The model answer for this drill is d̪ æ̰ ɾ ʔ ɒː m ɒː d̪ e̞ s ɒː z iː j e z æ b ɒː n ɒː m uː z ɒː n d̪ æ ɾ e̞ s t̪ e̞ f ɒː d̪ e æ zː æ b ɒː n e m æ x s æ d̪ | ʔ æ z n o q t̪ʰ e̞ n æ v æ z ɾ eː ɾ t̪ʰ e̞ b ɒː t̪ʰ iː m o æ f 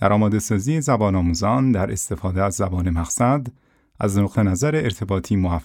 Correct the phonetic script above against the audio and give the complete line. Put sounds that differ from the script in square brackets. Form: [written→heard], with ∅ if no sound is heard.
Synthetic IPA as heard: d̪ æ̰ ɾ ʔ ɒː m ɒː d̪ e̞ s ɒː z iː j e z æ b ɒː n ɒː m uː z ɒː n d̪ æ ɾ e̞ s t̪ e̞ f ɒː d̪ e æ zː æ b ɒː n e m æ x s æ d̪ | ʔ æ z n o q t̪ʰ e̞ n æ [v→z] æ [z→∅] ɾ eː ɾ t̪ʰ e̞ b ɒː t̪ʰ iː m o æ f